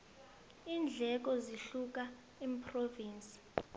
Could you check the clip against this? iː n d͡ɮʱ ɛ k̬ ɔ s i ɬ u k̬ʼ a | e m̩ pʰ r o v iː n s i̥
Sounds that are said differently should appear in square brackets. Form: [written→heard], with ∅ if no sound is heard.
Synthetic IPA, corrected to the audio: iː n d͡ɮʱ ɛ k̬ ɔ [s→z] i ɬ u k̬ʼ a | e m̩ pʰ r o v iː n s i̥